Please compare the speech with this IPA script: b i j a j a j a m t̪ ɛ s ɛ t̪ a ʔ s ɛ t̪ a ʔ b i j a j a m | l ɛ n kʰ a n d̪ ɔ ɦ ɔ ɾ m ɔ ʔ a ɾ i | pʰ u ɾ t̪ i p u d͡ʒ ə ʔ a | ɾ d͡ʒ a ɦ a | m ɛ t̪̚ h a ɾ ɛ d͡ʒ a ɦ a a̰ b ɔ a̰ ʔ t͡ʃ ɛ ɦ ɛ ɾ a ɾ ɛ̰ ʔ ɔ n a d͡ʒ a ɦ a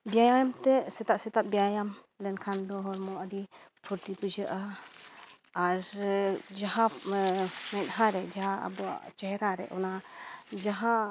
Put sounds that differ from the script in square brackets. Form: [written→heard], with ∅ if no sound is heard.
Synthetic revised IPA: b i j a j a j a m t̪ ɛ s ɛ t̪ a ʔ s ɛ t̪ a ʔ b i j a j a m | l ɛ n kʰ a n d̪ ɔ ɦ ɔ ɾ m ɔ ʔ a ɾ i | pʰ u ɾ t̪ i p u d͡ʒ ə ʔ a | ɾ d͡ʒ a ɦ a | m ɛ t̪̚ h a ɾ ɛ d͡ʒ a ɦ a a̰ b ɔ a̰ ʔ t͡ʃ ɛ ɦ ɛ ɾ a ɾ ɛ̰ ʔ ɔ n a d͡ʒ a ɦ a